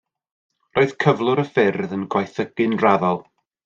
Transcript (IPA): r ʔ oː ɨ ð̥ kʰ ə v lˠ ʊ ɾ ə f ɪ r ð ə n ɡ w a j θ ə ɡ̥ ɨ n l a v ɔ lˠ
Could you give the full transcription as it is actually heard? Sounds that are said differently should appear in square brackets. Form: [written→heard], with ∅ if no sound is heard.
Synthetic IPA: r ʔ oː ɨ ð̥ kʰ ə v lˠ ʊ ɾ ə f ɪ r ð ə n ɡ w a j θ ə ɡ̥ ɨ n [l→r] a [v→ð] ɔ lˠ

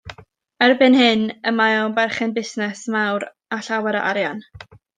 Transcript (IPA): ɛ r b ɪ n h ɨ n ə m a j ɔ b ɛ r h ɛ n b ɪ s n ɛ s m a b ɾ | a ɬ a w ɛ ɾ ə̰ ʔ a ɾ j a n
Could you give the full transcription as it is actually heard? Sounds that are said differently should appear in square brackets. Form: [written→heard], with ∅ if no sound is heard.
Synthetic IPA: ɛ r b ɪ n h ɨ n ə m a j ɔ b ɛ r [h→χ] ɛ n b ɪ s n ɛ s m a [b→w] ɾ | a ɬ a w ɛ ɾ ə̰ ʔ a ɾ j a n

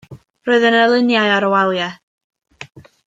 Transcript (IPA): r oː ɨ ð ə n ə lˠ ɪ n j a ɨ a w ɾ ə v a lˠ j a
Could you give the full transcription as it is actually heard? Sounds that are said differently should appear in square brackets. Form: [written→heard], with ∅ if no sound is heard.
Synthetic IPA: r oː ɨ ð ə n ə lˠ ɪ n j a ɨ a [w→∅] ɾ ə [v→w] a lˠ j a

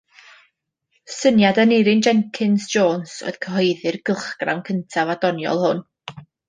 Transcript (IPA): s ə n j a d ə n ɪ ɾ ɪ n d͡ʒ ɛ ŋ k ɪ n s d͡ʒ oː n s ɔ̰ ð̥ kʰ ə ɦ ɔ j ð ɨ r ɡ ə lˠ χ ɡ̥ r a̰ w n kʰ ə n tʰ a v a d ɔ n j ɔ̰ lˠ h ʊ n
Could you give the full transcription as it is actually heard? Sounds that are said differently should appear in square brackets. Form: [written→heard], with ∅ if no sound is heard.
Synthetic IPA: s ə n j a d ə n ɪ ɾ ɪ n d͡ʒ ɛ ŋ [k→kʰ] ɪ n s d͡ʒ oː n s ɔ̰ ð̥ kʰ ə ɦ ɔ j ð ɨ r ɡ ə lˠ χ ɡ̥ r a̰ w n kʰ ə n tʰ a v a d ɔ n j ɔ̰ lˠ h ʊ n

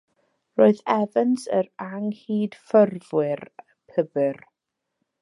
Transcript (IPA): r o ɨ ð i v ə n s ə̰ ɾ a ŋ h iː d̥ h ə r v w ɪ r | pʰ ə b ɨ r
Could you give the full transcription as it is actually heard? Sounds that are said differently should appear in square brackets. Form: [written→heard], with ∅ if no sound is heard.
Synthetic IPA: r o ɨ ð [i→ɛ] v ə n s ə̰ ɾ a ŋ h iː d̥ [h→f] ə r v w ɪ r | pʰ ə b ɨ r

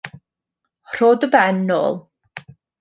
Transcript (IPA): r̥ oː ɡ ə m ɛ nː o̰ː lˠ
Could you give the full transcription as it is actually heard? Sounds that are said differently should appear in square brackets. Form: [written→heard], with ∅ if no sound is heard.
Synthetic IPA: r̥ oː [ɡ→d] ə [m→b] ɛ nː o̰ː lˠ

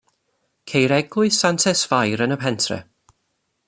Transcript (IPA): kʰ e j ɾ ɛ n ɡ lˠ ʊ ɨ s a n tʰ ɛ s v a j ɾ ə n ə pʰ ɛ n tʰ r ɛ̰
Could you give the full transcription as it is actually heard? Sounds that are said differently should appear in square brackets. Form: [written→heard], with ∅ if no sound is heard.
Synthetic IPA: kʰ e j ɾ ɛ [n→∅] ɡ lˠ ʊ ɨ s a n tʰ ɛ s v a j ɾ ə n ə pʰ ɛ n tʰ r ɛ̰

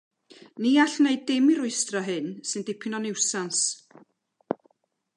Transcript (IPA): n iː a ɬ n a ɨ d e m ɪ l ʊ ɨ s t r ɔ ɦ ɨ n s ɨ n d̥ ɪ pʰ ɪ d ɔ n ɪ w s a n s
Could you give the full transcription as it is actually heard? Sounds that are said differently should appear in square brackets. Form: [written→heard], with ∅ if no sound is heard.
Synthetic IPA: n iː a ɬ n [a→e] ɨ d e m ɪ [l→ɾ] ʊ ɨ s t r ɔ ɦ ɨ n s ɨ n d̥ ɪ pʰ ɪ [d→n] ɔ n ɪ w s a n s

